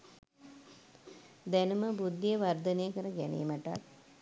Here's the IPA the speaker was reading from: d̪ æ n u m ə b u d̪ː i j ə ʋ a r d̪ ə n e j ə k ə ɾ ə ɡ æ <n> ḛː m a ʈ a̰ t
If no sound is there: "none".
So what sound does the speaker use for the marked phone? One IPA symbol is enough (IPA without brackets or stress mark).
n